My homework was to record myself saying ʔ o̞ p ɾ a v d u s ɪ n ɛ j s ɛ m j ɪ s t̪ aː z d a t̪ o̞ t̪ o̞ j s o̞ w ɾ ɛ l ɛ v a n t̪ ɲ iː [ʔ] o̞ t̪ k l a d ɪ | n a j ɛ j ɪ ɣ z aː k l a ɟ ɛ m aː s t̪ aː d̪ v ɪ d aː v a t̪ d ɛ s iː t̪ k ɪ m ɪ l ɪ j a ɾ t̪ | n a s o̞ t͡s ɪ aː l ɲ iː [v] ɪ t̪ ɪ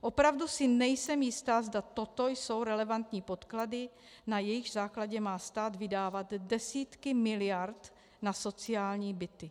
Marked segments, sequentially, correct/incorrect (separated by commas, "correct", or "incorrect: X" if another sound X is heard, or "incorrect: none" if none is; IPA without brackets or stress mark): incorrect: p, incorrect: b